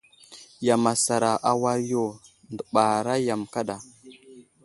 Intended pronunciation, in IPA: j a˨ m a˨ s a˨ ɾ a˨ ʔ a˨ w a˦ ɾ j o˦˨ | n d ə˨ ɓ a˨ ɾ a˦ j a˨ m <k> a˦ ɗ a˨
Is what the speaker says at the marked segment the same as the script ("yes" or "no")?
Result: yes